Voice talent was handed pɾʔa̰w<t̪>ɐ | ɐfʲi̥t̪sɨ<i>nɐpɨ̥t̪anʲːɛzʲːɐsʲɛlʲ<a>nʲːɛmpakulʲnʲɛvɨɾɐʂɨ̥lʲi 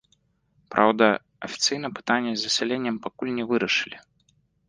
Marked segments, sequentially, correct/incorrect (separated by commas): incorrect, incorrect, incorrect